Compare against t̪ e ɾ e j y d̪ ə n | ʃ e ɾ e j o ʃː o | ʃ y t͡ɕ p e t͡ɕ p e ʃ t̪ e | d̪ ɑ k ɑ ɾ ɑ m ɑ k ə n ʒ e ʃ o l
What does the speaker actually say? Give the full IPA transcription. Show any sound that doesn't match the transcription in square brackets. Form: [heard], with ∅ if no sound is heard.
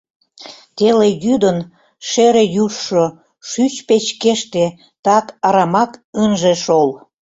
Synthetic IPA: t̪ e [l] e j y d̪ ə n | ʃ e ɾ e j [u] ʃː o | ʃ y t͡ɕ p e t͡ɕ [k] e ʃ t̪ e | [t̪] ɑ k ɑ ɾ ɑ m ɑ k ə n ʒ e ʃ o l